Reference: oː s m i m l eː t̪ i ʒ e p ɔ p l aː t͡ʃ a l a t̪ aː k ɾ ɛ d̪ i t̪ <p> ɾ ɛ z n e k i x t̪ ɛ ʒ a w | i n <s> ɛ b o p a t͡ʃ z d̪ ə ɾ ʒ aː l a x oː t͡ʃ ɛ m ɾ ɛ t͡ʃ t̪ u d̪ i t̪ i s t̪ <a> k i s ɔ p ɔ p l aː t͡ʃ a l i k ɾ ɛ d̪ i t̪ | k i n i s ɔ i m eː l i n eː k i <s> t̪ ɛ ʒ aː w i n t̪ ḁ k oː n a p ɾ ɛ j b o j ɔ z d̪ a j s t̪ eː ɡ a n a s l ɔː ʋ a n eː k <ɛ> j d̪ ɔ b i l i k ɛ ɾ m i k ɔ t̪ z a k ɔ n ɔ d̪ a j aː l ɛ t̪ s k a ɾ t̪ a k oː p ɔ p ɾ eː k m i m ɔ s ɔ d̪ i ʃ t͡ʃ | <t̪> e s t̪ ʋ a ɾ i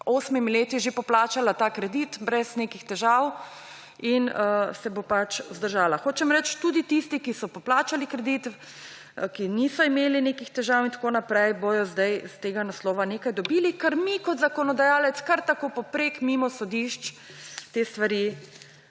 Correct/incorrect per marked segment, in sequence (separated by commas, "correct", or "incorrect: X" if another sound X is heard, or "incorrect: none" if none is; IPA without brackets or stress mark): incorrect: b, correct, incorrect: i, incorrect: x, incorrect: a, correct